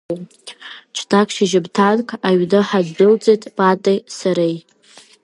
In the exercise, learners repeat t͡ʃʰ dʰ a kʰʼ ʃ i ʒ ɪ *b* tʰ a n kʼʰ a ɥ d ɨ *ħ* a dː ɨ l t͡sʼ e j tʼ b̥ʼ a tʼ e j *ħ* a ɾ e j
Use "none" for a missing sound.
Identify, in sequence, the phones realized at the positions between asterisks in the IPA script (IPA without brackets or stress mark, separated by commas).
b, ħ, s